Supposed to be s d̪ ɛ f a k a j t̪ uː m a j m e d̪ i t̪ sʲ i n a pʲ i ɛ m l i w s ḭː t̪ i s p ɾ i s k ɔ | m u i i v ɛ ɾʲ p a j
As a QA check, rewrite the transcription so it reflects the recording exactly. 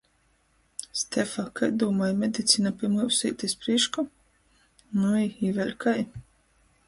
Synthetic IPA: s t̪ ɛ f a k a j d̪ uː m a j m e d̪ i t̪ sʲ i n a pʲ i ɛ m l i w s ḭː t̪ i s p ɾ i ʃ k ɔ | n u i i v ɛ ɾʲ k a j